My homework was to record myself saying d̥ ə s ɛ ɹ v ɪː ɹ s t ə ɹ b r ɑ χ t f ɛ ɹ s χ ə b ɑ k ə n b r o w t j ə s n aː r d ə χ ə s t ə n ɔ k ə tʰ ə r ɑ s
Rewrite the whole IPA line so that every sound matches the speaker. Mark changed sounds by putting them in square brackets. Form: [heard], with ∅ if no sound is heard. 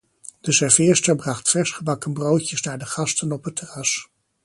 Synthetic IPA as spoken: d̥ ə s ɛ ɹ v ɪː ɹ s t ə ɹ b r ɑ χ t f ɛ ɹ s χ ə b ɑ k ə n b r o w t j ə s n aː [ɹ] d ə χ [ɑ] s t ə n ɔ [p] ə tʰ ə r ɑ s